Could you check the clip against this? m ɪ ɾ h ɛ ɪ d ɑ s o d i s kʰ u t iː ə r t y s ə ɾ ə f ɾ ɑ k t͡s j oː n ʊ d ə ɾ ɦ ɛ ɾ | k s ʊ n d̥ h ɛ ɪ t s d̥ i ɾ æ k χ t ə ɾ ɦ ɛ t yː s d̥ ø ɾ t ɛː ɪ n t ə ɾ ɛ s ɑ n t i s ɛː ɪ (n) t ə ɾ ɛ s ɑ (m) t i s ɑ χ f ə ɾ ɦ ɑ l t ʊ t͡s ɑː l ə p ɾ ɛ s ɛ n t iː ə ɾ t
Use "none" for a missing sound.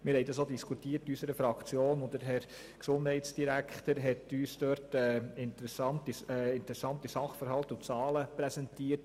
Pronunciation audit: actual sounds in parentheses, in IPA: n, n

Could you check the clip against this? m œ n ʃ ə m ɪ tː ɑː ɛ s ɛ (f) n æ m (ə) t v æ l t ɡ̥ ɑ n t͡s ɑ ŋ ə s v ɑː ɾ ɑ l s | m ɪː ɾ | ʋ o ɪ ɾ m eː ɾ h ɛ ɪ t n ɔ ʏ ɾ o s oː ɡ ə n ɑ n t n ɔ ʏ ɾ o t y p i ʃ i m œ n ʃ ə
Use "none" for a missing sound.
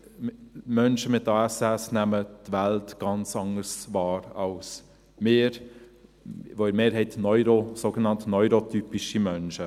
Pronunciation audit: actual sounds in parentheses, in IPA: s, ə

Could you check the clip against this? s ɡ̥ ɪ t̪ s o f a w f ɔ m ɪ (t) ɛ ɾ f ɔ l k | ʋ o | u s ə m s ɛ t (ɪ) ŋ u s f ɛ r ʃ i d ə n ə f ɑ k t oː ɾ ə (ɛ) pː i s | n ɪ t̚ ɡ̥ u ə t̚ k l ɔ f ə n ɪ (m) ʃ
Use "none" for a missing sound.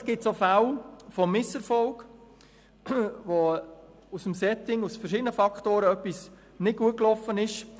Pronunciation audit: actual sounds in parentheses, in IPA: s, ɪ, œ, none

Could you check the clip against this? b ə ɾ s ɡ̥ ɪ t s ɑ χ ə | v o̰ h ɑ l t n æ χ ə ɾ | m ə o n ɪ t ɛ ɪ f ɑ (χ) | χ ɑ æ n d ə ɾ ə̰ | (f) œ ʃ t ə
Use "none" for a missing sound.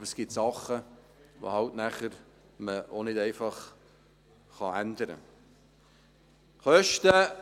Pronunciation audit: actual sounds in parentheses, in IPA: χ, χ

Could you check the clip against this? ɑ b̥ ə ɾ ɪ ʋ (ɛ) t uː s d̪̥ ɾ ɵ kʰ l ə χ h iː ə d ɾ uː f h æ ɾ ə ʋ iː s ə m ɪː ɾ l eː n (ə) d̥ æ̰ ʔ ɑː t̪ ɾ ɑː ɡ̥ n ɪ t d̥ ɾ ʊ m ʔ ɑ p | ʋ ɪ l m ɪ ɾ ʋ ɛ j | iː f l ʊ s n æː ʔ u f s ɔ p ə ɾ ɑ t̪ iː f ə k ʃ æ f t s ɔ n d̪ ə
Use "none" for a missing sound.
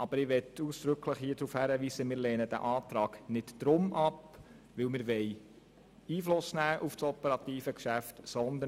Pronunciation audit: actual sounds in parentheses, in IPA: ɛ, ə

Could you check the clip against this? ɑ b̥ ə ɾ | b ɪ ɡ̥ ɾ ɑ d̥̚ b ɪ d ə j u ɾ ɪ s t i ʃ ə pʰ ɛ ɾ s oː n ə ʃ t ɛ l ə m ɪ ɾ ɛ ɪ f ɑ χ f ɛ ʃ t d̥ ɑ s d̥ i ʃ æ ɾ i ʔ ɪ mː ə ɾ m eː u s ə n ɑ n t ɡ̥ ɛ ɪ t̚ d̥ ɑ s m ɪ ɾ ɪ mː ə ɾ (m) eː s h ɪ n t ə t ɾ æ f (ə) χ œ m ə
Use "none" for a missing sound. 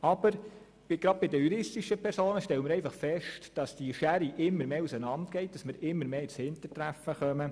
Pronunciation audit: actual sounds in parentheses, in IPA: m, ə

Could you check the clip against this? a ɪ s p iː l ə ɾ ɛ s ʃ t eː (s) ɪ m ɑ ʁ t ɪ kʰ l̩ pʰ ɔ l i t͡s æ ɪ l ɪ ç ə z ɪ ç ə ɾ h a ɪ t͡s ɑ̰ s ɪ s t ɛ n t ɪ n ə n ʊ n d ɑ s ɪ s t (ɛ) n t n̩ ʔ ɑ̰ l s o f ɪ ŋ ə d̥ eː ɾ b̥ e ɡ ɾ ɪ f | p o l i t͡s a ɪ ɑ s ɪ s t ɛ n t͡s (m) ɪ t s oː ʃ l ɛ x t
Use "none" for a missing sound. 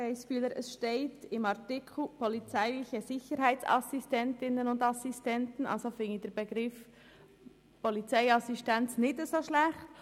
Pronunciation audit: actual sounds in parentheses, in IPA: t, ɛ, n

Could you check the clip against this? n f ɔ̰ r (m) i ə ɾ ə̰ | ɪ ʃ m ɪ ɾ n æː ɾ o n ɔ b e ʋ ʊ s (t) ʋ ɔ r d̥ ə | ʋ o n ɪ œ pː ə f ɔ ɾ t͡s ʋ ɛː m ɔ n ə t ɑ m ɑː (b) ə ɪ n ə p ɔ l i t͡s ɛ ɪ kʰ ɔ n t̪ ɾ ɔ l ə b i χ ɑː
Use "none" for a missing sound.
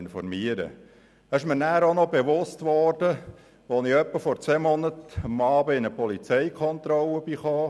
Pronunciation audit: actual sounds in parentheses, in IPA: m, t, b

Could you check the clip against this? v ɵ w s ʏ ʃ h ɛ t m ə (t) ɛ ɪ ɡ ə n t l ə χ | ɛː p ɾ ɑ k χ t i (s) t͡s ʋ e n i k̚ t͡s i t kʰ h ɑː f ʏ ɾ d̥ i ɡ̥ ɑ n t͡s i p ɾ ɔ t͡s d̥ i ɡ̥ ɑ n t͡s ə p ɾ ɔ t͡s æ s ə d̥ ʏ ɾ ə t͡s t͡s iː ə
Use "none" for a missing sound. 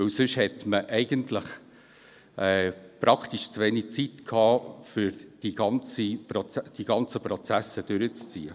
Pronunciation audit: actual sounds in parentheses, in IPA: ʔ, ʃ

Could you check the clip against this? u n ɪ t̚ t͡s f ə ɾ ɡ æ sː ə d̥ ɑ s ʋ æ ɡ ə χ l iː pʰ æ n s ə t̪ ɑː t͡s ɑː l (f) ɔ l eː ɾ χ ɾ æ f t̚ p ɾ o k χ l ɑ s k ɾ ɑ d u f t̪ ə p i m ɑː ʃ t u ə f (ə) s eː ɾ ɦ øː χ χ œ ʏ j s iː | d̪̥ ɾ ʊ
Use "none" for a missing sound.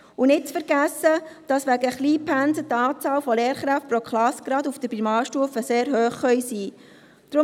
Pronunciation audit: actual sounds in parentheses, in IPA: f, ə

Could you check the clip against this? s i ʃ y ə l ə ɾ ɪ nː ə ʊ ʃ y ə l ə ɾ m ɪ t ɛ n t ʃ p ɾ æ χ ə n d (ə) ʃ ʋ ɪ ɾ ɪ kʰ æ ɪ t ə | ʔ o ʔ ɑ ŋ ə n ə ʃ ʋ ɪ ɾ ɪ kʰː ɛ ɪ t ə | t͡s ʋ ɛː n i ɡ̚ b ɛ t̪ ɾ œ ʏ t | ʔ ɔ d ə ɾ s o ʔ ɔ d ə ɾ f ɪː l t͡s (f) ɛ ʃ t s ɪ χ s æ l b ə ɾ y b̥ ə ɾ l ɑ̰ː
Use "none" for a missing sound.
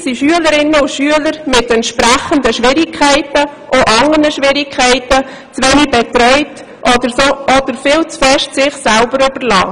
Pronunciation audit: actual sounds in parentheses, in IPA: ə, f

